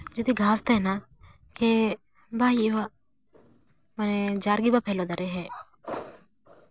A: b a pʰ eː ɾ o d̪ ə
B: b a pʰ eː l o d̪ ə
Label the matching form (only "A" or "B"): B